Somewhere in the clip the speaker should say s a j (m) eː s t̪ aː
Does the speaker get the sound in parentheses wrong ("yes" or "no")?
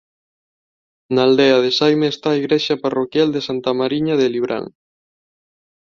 no